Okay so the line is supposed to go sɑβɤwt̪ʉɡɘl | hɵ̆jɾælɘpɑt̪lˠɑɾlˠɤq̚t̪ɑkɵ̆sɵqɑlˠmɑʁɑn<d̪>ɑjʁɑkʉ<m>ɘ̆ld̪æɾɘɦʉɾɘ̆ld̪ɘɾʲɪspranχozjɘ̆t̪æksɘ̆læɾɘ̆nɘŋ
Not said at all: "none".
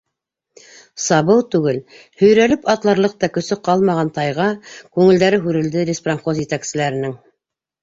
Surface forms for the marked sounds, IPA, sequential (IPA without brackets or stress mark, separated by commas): t̪, ŋ